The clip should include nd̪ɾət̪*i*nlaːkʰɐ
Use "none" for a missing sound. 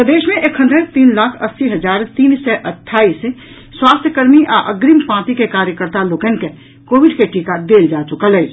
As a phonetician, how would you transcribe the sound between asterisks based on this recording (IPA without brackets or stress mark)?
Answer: iː